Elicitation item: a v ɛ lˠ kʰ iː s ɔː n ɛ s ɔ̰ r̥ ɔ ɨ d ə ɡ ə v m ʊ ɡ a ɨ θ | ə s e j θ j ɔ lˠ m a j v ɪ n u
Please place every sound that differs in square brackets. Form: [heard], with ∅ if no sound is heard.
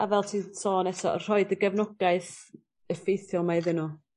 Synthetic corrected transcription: a v ɛ lˠ [tʰ] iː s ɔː n ɛ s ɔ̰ r̥ ɔ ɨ d ə ɡ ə v [n] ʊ ɡ a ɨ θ | ə [f] e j θ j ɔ lˠ m a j [ð] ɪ n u